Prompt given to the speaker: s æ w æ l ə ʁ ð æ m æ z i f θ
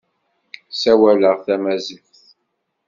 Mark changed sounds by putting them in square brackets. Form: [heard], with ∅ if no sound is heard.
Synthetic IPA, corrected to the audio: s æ w æ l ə ʁ [θ] æ m æ z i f θ